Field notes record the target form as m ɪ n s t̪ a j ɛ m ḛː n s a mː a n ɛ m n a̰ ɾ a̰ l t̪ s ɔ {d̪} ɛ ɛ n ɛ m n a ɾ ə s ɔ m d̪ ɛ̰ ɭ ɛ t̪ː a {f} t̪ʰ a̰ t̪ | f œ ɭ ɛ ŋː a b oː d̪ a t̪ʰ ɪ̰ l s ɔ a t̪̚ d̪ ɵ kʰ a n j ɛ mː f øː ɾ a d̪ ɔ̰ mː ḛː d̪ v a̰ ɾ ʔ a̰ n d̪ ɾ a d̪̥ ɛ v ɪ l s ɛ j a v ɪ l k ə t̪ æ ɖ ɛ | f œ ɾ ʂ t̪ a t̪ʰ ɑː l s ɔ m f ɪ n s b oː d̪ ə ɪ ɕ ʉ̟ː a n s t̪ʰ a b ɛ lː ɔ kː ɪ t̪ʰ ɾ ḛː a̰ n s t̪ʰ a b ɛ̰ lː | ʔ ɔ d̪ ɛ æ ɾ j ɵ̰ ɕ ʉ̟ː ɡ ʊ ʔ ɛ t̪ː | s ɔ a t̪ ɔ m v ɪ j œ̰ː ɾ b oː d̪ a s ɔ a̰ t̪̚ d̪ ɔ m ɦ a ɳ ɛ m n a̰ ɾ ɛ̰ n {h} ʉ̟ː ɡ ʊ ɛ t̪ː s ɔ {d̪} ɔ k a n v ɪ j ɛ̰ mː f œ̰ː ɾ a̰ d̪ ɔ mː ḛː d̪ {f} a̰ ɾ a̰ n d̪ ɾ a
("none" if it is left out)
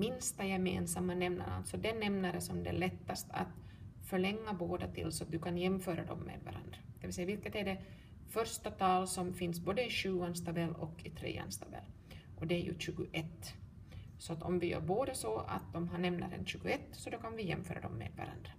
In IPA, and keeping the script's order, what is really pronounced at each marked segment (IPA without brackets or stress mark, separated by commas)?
d̪, s, ɕ, d̪, v